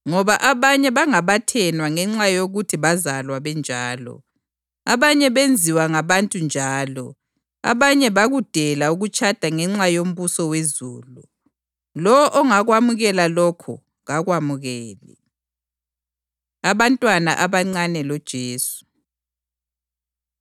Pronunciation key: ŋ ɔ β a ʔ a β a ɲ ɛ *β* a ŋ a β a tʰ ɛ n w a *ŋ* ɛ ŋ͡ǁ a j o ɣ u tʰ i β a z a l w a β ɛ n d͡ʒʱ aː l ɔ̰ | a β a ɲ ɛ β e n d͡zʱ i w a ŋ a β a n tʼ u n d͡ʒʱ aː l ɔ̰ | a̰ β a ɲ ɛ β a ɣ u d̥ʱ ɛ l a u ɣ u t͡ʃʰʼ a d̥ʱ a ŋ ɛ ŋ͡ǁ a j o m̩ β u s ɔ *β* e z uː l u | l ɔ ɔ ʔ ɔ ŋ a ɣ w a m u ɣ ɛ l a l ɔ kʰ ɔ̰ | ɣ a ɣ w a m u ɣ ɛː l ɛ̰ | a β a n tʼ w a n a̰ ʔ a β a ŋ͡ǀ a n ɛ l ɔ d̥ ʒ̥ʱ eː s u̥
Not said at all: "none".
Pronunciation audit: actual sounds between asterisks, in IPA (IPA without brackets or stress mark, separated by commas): β, ŋ, w